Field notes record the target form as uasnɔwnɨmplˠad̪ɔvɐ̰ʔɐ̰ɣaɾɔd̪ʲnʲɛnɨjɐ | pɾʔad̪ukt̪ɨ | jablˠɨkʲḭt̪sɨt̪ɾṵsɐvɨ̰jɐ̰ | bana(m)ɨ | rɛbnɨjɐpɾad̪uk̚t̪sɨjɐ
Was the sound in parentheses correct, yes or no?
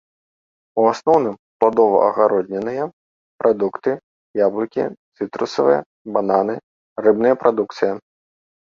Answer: no